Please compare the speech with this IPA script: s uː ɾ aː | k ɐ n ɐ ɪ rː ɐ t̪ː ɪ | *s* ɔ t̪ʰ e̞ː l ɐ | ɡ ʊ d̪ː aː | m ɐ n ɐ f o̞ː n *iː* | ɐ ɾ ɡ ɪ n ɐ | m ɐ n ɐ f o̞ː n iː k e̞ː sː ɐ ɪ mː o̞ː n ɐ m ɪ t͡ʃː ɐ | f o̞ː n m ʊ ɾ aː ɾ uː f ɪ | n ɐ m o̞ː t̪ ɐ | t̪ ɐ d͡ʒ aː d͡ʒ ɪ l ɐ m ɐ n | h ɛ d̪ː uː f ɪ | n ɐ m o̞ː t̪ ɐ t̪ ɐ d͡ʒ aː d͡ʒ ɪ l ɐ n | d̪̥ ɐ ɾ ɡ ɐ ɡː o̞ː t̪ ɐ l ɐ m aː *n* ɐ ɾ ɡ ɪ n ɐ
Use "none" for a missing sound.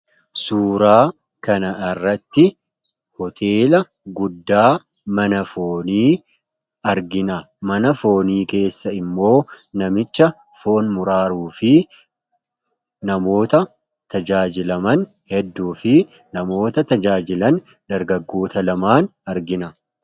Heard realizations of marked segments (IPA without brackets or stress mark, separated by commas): h, iː, n